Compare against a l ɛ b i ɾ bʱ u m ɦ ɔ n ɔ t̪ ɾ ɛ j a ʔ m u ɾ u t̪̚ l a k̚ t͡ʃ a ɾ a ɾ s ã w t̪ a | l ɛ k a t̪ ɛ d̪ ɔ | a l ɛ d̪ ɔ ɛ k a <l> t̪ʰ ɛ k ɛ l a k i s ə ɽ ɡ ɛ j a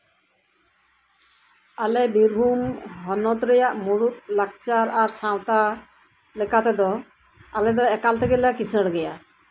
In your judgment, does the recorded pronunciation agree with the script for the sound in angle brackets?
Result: yes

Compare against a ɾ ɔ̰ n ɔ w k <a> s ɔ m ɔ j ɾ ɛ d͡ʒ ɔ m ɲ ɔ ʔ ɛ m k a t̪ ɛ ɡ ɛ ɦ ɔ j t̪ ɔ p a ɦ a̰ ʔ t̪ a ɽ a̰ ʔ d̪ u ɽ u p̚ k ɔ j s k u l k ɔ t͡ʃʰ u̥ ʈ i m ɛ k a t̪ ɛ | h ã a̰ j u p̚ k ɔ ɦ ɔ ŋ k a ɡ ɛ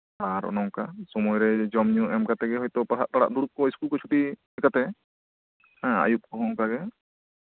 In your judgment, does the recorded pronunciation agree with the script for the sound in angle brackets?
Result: yes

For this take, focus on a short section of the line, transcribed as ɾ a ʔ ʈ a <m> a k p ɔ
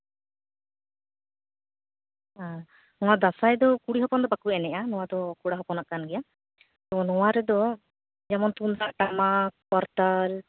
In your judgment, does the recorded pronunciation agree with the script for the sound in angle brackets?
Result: yes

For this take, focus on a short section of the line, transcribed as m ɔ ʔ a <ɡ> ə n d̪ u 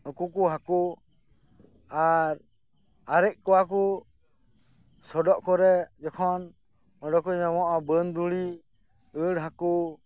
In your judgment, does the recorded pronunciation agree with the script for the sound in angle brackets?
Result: no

